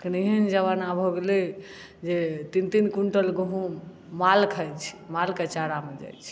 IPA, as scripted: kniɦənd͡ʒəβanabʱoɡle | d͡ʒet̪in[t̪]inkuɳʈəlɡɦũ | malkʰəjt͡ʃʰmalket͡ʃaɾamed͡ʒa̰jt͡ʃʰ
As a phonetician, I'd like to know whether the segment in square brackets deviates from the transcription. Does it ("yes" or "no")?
no